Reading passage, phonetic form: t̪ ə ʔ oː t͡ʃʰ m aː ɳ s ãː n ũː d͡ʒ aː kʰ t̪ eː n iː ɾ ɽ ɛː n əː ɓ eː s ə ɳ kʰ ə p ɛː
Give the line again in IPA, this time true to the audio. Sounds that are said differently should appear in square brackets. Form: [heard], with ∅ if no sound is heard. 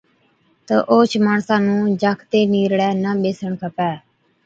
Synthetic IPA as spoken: t̪ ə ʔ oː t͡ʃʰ m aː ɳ s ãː n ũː d͡ʒ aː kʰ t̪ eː n iː ɾ ɽ ɛː n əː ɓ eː s ə ɳ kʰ ə p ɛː